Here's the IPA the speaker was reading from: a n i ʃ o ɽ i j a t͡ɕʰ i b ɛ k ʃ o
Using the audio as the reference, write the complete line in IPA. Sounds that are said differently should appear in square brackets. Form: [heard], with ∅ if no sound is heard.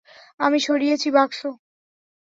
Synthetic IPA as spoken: a [m] i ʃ o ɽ i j [e] t͡ɕʰ i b [a] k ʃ o